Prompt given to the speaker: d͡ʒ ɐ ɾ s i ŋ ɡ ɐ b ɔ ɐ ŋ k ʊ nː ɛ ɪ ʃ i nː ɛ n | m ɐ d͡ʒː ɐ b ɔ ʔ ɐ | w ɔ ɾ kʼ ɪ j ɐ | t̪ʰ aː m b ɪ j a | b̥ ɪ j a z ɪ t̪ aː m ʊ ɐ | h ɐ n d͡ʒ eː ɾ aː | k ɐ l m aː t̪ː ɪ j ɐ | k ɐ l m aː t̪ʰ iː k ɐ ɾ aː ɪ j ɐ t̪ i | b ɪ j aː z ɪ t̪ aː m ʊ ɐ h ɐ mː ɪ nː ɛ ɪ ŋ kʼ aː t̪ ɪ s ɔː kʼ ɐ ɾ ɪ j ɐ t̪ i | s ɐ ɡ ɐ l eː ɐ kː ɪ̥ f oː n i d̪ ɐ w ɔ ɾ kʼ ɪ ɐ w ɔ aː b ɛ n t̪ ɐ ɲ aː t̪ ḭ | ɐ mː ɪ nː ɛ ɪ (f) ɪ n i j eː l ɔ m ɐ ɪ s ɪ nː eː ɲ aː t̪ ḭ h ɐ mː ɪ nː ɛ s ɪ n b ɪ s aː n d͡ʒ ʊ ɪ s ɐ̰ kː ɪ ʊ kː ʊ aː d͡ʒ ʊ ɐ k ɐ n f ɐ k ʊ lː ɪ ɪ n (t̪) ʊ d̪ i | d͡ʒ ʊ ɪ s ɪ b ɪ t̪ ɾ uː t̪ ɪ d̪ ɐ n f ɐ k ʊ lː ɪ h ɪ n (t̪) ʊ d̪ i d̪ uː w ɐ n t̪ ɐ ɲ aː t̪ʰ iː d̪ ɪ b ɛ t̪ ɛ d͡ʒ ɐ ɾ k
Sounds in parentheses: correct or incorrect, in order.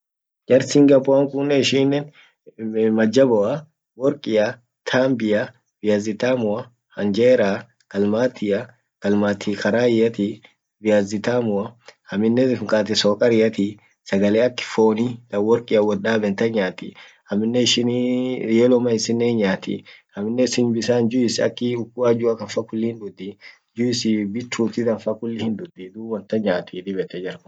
incorrect, incorrect, incorrect

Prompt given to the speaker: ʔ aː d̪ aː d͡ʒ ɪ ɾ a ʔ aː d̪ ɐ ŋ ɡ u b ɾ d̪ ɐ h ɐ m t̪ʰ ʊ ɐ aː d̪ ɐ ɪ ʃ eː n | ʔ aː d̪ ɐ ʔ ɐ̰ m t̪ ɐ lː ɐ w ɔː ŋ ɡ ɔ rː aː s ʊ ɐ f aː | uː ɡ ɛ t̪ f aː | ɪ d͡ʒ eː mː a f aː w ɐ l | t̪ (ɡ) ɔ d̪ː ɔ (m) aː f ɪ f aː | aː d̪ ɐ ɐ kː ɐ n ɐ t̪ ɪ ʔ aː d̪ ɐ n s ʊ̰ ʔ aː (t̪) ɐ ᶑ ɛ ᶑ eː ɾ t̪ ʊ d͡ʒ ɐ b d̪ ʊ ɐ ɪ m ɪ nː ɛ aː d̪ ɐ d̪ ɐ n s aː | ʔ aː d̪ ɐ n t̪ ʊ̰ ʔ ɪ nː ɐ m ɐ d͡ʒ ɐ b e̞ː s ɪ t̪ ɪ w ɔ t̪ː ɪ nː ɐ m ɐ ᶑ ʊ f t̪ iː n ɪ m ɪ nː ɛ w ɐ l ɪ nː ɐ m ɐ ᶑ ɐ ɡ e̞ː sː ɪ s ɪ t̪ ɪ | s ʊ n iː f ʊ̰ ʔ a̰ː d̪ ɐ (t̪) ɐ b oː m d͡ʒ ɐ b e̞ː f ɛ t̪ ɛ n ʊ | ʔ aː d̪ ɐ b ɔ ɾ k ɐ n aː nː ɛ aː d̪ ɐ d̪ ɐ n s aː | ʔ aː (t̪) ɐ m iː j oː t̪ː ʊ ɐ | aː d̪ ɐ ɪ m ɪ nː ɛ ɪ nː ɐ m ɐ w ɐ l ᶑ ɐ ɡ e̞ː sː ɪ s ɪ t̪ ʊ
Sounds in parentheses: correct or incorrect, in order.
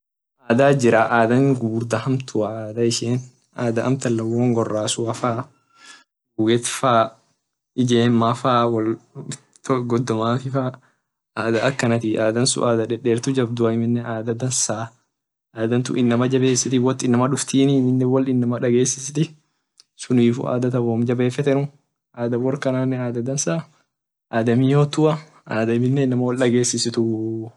correct, correct, incorrect, correct, incorrect

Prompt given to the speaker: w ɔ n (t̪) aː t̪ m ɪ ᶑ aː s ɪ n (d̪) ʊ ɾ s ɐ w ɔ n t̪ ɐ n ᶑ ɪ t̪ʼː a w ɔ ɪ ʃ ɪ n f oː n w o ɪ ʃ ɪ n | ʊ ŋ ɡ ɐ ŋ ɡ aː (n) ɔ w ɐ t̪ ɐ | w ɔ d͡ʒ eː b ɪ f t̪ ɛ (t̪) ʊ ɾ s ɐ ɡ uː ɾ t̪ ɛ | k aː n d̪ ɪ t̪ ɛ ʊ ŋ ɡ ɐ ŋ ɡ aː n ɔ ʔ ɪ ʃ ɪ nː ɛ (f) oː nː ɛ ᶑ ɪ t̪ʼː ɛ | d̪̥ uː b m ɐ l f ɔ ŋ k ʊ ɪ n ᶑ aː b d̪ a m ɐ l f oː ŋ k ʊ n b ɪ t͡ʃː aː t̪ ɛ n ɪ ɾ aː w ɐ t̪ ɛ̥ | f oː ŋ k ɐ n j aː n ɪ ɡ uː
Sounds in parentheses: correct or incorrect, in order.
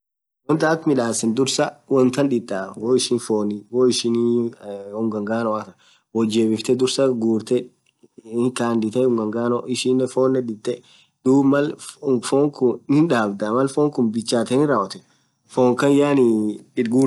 correct, correct, correct, incorrect, correct

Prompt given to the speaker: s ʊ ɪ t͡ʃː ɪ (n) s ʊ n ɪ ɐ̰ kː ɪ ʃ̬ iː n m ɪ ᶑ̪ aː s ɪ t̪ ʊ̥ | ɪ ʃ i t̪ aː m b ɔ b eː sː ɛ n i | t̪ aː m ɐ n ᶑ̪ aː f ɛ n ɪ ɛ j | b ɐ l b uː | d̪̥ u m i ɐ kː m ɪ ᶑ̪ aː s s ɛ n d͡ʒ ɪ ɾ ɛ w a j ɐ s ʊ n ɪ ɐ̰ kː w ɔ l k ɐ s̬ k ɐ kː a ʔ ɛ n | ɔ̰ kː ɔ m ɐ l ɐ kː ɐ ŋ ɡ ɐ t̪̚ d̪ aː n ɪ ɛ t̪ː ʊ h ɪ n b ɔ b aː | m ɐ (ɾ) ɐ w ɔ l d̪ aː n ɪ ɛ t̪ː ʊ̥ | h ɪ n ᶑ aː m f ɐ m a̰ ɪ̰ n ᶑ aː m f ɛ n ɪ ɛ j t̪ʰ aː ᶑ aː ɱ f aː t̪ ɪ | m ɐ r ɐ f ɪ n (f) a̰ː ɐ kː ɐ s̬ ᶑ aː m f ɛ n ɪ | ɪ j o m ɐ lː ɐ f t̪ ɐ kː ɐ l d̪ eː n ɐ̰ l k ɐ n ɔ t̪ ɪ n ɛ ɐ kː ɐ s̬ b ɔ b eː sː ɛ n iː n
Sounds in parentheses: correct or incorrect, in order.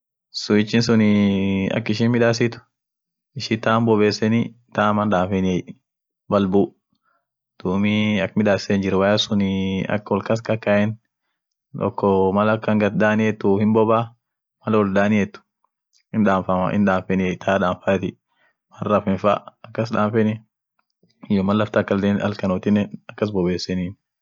correct, incorrect, correct

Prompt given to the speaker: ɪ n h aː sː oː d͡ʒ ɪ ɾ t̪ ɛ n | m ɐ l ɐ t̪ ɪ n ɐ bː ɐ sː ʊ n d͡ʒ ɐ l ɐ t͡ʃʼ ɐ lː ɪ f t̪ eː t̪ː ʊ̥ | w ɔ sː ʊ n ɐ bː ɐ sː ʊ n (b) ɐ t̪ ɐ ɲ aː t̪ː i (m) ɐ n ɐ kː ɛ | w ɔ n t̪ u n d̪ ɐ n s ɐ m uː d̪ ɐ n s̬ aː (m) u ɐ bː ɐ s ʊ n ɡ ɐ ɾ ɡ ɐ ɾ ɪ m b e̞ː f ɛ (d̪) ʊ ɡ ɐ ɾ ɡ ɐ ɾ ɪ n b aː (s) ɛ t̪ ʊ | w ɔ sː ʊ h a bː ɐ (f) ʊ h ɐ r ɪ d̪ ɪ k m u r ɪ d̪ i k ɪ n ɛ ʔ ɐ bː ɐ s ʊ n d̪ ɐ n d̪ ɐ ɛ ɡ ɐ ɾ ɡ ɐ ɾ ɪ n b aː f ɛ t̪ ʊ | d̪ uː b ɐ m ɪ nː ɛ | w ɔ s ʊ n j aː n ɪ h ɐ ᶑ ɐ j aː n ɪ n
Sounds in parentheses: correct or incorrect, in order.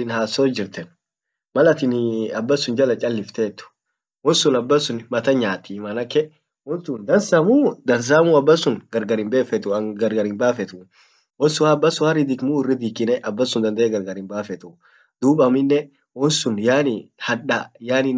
incorrect, correct, correct, incorrect, incorrect, incorrect

